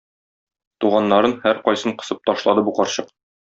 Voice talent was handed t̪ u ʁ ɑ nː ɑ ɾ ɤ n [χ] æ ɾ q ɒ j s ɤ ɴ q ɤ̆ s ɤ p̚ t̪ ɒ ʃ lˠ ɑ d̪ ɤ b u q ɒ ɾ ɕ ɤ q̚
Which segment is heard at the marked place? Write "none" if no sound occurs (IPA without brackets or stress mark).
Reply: h